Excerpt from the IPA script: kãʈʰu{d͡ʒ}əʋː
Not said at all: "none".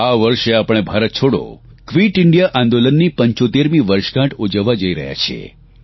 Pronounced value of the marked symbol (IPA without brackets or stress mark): d͡ʒ